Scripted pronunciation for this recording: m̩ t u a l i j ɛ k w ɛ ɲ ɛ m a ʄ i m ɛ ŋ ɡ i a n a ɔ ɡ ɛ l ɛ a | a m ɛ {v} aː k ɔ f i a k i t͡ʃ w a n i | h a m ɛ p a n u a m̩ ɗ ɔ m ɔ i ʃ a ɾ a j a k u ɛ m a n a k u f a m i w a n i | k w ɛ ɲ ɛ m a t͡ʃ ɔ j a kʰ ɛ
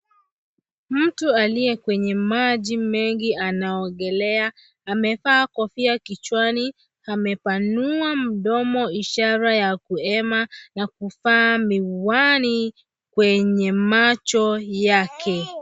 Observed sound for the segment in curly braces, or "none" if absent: f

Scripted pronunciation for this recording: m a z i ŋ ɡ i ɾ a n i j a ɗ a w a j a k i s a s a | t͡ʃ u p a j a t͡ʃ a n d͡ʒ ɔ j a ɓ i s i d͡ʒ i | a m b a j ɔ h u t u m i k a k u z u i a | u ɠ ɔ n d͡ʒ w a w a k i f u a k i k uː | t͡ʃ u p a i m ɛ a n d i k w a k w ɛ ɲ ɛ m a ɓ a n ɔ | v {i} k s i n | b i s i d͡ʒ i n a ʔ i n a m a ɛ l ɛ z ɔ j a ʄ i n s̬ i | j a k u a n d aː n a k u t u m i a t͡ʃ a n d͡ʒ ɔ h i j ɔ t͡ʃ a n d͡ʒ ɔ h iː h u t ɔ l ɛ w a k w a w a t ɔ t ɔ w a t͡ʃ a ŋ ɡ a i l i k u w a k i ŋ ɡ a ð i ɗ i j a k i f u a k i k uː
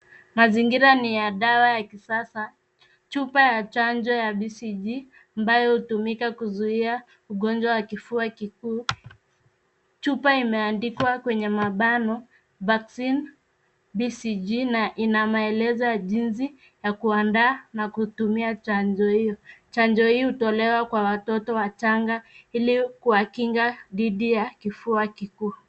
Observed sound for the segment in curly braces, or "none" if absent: a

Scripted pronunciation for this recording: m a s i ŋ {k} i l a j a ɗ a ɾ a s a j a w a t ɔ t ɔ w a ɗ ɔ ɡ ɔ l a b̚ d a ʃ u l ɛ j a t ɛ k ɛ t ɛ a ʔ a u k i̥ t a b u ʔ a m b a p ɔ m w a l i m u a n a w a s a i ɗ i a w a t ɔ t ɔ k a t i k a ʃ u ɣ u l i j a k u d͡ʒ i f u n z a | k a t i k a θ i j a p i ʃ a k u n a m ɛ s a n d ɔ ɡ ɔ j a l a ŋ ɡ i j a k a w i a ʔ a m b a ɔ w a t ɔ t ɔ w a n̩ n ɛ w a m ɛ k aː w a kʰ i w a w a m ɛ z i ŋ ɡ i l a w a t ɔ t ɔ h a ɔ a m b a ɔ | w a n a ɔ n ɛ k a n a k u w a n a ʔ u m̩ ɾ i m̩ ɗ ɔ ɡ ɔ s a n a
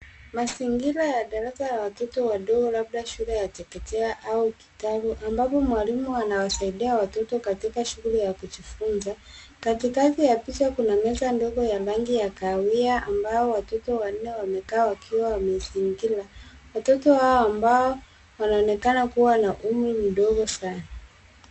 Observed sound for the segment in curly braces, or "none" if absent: ɡ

